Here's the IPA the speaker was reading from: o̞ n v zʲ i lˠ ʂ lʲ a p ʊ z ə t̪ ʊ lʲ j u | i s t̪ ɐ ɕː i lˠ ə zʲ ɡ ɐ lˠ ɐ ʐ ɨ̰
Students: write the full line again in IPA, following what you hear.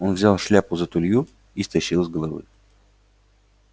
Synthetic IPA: o̞ n v zʲ a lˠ ʂ lʲ a p ʊ z ə t̪ ʊ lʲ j u | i s t̪ ɐ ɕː i lˠ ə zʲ ɡ ə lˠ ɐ v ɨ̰